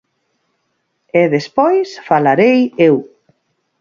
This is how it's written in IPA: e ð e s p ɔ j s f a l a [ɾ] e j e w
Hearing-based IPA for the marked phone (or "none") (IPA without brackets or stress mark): ɾ